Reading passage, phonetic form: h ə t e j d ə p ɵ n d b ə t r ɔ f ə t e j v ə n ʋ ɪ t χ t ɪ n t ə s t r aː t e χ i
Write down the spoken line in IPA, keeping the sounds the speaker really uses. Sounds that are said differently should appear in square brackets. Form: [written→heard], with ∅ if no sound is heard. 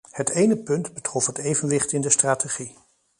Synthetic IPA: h ə t e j [d→n] ə p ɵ n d b ə t r ɔ f ə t e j v ə n ʋ ɪ [t→∅] χ t ɪ n [t→d] ə s t r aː t e χ i